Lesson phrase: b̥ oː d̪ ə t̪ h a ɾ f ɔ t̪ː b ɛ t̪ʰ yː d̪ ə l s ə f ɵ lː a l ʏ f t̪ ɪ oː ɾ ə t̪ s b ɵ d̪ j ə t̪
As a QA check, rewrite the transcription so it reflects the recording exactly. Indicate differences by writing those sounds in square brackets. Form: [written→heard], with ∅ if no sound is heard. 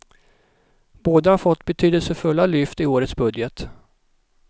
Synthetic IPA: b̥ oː d̪ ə [t̪→∅] h a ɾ f ɔ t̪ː b ɛ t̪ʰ yː d̪ ə l s ə f ɵ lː a l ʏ f t̪ ɪ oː ɾ ə t̪ s b ɵ d̪ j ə t̪